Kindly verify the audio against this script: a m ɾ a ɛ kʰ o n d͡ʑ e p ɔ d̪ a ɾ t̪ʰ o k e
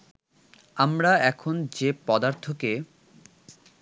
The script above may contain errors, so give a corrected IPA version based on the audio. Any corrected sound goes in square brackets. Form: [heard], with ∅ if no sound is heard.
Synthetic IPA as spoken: a m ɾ a ɛ kʰ o n d͡ʑ e p ɔ d̪ a ɾ t̪ʰ o k e